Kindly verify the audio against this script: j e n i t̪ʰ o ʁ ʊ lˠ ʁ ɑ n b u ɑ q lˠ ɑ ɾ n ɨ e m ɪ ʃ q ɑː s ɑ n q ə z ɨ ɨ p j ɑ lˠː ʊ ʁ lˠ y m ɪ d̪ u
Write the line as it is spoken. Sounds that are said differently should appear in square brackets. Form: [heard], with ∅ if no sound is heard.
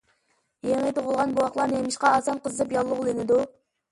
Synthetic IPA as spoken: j e [ŋ] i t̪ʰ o ʁ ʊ lˠ ʁ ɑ n b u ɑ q lˠ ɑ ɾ n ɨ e m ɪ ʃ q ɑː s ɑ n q ə z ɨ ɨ p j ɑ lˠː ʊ ʁ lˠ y [n] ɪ d̪ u